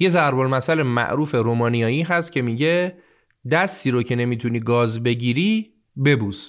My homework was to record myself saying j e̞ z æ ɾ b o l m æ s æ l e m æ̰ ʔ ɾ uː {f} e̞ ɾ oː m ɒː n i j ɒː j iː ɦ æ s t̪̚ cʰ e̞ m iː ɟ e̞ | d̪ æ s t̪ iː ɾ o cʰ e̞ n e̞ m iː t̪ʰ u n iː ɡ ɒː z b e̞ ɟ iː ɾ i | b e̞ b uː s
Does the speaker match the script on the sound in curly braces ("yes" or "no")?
yes